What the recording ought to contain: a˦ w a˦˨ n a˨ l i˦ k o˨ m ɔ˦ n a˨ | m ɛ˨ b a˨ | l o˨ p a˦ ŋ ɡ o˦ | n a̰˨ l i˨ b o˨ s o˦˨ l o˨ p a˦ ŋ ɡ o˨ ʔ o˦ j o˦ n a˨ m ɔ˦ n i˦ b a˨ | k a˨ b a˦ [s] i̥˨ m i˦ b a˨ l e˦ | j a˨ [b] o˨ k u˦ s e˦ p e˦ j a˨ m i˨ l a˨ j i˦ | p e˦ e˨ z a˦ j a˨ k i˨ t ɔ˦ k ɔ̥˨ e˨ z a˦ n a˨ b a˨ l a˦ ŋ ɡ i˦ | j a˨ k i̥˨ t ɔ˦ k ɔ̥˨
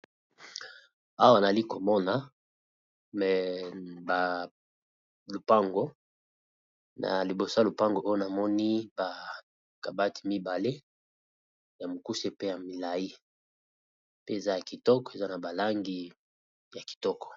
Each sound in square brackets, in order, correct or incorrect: incorrect, incorrect

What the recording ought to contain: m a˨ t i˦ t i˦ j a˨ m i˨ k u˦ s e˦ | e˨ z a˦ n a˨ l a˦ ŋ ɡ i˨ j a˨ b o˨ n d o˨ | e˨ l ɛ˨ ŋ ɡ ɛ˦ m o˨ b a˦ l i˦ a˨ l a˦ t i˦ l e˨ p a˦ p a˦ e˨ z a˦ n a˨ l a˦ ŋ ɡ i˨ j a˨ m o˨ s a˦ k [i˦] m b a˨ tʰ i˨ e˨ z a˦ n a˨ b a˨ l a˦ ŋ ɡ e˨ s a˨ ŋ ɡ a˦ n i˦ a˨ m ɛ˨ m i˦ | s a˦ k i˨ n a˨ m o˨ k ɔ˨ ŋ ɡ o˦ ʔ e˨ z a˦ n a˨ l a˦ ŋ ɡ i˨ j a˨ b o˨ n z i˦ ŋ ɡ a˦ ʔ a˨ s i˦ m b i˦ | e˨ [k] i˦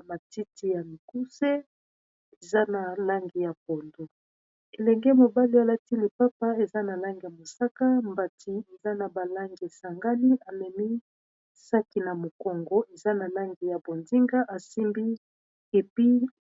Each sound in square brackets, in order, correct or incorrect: incorrect, incorrect

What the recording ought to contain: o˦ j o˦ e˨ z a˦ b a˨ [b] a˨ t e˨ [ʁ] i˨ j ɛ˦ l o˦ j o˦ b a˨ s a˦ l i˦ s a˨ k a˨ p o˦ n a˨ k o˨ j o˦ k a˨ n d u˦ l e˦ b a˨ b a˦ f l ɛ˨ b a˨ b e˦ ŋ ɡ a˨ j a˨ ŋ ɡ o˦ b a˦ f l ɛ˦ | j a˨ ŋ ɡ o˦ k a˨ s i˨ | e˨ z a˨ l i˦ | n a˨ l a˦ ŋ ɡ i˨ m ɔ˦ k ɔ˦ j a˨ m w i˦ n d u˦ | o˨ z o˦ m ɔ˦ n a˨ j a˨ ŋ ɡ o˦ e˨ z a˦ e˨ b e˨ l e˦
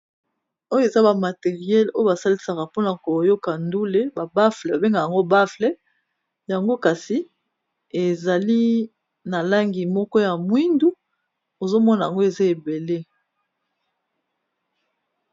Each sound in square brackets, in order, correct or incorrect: incorrect, correct

